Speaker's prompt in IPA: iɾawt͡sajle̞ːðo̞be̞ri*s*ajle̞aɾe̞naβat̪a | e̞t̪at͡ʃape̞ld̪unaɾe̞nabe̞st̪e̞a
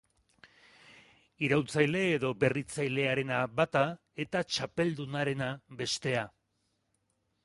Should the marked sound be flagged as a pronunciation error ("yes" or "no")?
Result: yes